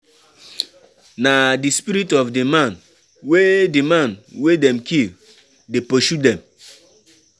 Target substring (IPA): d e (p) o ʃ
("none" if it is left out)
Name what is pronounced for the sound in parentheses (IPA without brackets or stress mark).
p